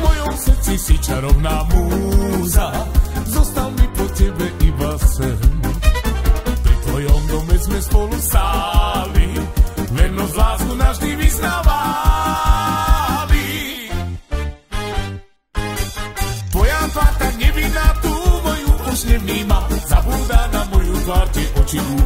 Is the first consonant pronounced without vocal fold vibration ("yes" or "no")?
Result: no